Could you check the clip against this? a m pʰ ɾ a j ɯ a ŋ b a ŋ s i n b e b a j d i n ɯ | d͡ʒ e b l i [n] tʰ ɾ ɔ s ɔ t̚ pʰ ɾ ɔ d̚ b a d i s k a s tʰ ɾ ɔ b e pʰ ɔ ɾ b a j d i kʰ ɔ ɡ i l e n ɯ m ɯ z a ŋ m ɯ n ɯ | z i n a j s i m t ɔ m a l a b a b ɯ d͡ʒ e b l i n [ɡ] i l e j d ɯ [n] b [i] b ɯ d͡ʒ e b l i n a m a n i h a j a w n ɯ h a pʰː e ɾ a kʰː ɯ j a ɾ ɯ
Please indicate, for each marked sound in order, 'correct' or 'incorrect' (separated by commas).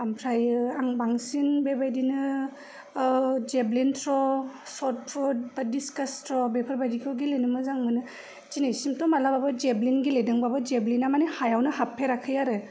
correct, correct, incorrect, incorrect